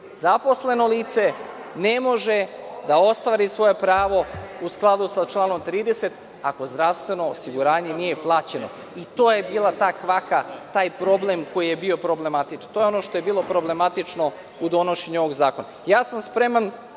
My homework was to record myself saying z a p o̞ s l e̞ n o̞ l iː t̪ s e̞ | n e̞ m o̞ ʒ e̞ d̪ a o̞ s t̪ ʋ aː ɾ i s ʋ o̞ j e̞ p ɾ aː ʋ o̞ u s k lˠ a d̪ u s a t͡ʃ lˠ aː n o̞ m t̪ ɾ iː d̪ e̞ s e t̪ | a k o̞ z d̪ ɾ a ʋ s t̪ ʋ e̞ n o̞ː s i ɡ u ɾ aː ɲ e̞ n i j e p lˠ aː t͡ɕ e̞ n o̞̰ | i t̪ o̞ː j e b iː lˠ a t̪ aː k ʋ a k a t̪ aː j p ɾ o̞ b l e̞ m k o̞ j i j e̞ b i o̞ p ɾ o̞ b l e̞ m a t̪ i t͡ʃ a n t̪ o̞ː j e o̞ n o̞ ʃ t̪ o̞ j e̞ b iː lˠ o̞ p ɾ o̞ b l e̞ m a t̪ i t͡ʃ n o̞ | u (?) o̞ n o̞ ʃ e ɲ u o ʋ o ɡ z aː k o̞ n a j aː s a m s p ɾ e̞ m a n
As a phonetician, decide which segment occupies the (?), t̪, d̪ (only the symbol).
d̪